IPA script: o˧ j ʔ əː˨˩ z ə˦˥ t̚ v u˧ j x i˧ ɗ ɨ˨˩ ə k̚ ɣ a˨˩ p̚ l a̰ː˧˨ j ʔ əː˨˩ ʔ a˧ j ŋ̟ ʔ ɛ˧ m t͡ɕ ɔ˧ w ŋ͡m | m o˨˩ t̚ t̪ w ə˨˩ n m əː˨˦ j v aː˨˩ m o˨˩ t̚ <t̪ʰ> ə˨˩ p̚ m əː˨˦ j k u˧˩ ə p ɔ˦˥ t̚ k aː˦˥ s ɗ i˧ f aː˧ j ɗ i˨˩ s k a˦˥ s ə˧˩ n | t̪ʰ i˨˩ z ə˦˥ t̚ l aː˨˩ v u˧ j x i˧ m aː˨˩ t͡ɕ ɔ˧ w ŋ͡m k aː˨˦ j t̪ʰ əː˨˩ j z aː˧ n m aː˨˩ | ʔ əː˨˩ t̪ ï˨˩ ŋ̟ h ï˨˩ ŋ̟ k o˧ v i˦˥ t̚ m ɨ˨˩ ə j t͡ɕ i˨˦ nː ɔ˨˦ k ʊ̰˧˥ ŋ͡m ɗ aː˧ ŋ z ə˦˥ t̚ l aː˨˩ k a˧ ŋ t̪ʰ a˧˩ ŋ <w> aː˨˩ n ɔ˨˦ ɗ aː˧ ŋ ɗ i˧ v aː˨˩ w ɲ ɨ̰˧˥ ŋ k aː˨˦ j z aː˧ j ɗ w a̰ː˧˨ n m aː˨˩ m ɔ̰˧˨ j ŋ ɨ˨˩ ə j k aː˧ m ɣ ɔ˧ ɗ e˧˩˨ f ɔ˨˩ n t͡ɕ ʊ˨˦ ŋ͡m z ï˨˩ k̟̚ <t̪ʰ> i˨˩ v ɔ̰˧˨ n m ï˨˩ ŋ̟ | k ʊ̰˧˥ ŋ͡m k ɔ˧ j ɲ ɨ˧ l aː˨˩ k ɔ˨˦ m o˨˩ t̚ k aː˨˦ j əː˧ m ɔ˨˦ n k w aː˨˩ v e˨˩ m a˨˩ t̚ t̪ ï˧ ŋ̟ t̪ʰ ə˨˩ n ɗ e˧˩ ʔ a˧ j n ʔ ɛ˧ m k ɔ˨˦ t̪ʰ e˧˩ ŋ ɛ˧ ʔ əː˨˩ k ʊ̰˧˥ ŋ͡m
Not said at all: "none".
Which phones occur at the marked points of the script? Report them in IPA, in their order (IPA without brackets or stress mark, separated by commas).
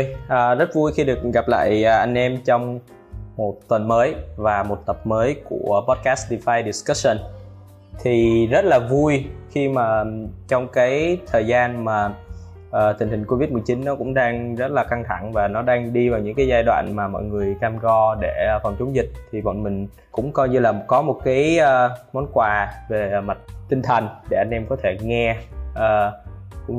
t̪, v, t̪ʰ